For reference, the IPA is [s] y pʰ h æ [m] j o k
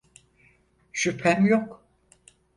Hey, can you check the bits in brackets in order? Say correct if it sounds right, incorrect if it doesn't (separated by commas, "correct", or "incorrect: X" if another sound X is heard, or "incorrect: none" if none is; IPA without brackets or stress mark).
incorrect: ʃ, correct